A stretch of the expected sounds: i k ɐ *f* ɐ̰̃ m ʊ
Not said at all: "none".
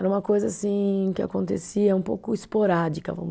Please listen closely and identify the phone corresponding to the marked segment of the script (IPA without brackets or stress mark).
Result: v